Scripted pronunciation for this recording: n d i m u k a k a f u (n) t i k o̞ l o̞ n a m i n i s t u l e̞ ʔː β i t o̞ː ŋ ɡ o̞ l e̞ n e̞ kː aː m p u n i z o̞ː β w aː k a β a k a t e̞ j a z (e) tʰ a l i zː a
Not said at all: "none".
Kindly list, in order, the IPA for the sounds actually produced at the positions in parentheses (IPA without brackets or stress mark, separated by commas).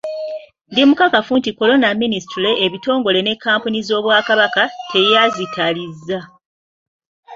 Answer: n, i